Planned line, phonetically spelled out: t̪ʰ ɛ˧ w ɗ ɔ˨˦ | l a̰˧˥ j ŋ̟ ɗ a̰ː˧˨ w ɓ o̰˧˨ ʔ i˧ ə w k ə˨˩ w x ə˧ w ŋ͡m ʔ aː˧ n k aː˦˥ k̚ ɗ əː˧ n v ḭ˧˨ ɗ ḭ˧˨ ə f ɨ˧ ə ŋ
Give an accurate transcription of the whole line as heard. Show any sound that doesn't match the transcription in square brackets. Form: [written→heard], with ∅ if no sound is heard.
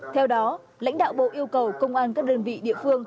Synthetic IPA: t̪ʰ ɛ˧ w ɗ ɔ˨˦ | l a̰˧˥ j ŋ̟ ɗ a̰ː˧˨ w ɓ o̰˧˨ ʔ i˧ ə w k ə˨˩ w [x→k] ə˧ w ŋ͡m ʔ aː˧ n k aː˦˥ k̚ ɗ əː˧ n v ḭ˧˨ ɗ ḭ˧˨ ə f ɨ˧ ə ŋ